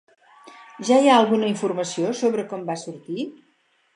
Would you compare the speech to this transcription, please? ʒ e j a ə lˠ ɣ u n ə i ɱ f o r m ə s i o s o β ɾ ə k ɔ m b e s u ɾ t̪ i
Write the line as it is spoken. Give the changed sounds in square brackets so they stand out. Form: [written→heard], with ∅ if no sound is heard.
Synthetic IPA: ʒ [e→a] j a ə lˠ ɣ u n ə i ɱ f [o→u] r m ə s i o s o β ɾ ə k ɔ m b [e→a] s u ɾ t̪ i